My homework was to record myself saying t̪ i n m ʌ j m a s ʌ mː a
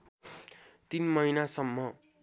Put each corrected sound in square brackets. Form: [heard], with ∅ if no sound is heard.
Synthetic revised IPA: t̪ i n m ʌ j [n] a s ʌ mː [ʌ]

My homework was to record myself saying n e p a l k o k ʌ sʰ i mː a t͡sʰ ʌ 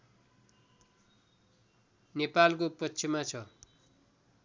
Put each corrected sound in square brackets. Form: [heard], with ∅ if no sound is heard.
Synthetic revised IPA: n e p a l k o [p] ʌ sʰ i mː a t͡sʰ ʌ

